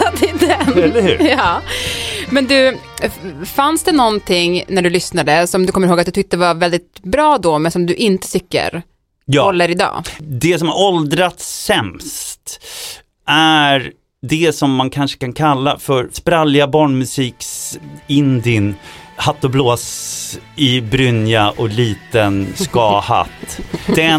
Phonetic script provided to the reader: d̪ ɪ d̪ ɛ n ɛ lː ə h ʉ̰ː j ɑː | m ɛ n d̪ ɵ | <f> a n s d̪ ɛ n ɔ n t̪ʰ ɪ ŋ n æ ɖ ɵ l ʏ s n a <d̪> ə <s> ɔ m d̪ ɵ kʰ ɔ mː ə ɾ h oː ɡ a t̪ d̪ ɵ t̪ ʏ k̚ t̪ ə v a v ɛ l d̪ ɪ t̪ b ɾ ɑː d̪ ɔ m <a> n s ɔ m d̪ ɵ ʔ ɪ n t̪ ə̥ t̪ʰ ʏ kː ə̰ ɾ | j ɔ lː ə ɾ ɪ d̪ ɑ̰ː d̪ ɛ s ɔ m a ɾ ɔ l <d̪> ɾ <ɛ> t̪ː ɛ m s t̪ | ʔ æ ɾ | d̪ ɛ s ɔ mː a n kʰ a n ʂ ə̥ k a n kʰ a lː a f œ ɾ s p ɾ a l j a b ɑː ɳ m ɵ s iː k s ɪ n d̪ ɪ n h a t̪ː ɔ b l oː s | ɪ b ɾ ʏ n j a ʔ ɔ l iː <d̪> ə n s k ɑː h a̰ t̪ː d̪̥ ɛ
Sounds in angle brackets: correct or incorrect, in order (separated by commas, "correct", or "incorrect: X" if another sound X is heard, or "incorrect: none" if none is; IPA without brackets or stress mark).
correct, correct, correct, incorrect: ɛ, correct, incorrect: a, incorrect: t̪